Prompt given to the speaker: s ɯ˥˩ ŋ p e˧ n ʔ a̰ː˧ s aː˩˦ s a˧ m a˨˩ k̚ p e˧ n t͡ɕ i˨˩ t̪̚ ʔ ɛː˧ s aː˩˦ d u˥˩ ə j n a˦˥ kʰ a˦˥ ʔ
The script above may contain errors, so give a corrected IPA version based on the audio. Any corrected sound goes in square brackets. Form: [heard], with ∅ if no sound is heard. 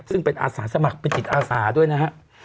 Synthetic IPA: s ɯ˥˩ ŋ p e˧ n ʔ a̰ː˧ s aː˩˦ s a˧ m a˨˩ k̚ p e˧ n t͡ɕ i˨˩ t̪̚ ʔ [aː˧] s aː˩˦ d u˥˩ ə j n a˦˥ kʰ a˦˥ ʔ